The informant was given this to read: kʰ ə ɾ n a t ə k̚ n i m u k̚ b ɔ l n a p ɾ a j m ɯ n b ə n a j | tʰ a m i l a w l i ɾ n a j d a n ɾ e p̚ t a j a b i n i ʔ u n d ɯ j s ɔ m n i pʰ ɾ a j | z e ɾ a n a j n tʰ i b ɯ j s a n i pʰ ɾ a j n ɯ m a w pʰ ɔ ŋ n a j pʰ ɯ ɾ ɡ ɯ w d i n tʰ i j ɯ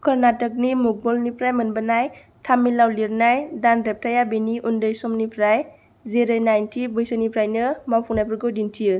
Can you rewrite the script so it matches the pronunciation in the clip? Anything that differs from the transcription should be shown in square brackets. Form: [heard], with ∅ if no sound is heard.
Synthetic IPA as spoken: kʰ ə ɾ n a t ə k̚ n i m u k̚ b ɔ l n [i] p ɾ a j m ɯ n b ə n a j | tʰ a m i l a w l i ɾ n a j d a n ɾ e p̚ t a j a b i n i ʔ u n d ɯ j s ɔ m n i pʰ ɾ a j | z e ɾ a n a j n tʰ i b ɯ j s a n i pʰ ɾ a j n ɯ m a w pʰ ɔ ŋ n a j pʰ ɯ ɾ ɡ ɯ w d i n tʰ i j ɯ